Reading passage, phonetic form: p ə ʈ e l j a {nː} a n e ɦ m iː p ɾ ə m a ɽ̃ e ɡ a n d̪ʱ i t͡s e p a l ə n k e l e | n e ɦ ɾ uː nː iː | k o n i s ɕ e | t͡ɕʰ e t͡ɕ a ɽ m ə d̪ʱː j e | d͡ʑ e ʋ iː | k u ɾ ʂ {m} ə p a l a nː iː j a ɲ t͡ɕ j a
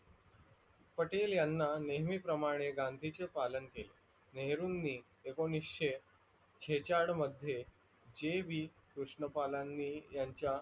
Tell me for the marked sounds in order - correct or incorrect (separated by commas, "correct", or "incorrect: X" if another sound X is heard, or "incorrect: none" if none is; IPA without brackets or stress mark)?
correct, incorrect: ɳ